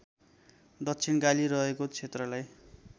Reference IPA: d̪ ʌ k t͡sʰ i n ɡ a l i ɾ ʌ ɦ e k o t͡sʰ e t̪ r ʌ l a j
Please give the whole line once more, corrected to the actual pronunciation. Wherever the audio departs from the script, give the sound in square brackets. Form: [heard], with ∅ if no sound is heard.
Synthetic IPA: d̪ ʌ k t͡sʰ i n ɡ a l i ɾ ʌ ɦ e k o t͡sʰ e t̪ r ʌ l a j